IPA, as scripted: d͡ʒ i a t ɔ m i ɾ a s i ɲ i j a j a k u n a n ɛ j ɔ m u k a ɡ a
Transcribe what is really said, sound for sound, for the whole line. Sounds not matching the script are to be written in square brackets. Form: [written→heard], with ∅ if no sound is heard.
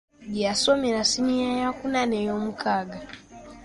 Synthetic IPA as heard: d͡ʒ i a [t→s] ɔ m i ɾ a s i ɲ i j a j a k u n a n ɛ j ɔ m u k a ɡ a